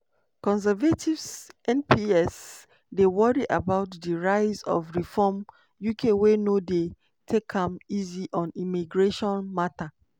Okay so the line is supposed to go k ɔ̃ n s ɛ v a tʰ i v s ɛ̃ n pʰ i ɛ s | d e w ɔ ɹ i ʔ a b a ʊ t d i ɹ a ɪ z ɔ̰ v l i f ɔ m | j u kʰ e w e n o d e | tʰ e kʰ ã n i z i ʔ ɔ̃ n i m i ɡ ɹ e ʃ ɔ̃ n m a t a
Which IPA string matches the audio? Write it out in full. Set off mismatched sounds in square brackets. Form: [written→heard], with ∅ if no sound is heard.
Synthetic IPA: k ɔ̃ n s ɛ v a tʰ i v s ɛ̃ n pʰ i ɛ s | d e w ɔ ɹ i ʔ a b a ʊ t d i ɹ a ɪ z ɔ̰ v [l→ɹ] i f ɔ m | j u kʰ e w e n o d e | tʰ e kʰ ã [n→m] i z i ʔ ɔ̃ n i m i ɡ ɹ e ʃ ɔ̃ n m a t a